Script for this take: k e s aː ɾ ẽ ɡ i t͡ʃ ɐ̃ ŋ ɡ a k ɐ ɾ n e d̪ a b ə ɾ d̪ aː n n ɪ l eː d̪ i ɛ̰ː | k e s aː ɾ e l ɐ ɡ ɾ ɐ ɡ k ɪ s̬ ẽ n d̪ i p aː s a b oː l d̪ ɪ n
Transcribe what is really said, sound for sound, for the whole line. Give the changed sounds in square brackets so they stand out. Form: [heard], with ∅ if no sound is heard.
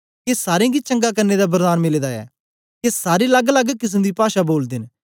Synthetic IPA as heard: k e s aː ɾ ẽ ɡ i t͡ʃ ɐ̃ ŋ ɡ a k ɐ ɾ n e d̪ a b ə ɾ d̪ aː n [m] ɪ l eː d̪ [a] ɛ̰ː | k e s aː ɾ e l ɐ ɡ [l] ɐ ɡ k ɪ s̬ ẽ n d̪ i p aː [ʃ] a b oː l d̪ ɪ n